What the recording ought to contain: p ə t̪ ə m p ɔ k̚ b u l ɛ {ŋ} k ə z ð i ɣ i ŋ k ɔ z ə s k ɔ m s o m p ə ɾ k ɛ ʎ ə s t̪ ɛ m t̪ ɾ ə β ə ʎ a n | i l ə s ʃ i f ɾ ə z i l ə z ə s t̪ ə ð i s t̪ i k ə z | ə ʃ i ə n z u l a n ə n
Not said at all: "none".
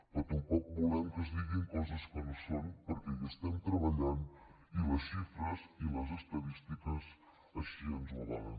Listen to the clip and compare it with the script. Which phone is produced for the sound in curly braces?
m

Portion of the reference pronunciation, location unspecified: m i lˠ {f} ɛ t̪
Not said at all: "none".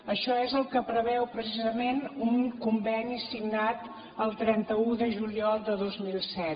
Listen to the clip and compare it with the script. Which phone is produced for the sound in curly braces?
s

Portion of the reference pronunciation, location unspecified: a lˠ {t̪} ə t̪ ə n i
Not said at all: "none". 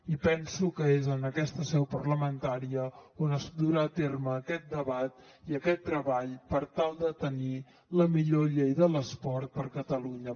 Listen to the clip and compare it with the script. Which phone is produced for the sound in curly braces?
d̪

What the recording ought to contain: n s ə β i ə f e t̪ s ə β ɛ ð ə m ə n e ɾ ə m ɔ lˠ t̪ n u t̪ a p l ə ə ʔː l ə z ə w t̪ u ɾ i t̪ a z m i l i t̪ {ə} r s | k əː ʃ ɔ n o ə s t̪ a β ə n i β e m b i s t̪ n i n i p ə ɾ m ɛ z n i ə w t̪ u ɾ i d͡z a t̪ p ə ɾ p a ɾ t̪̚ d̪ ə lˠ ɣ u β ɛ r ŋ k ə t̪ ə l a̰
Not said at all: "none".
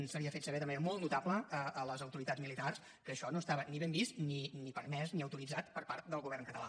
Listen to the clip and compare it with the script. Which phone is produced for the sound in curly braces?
a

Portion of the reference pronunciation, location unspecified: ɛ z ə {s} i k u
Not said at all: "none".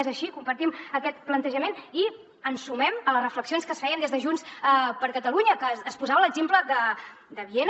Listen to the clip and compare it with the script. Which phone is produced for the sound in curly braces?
ʃ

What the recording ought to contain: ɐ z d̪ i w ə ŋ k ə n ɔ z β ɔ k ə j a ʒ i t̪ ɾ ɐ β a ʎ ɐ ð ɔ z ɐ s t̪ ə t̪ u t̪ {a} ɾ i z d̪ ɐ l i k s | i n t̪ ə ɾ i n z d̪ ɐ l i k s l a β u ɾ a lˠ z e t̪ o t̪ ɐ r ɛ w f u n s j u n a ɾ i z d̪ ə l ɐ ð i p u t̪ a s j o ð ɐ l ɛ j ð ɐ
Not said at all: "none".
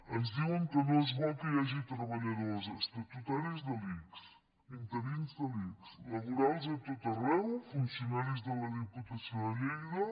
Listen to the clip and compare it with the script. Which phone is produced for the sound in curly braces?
a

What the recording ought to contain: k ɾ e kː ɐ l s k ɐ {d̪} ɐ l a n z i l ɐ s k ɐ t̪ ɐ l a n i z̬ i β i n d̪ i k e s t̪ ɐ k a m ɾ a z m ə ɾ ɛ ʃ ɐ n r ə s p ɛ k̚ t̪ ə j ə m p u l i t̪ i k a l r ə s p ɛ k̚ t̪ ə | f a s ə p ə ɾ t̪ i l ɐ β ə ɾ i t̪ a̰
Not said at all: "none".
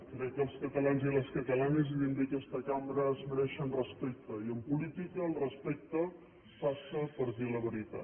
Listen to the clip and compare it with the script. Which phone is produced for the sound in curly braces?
t̪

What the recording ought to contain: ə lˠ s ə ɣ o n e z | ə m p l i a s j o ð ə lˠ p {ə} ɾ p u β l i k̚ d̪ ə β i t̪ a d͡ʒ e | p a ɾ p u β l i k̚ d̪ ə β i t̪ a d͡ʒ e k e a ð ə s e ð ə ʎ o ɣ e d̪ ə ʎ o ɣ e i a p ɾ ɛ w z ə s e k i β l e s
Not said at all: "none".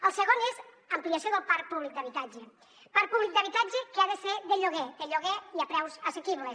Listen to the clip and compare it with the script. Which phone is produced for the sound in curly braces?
a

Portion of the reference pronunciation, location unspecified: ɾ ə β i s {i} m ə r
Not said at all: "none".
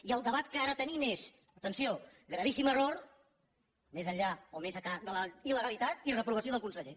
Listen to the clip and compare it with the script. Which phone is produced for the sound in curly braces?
i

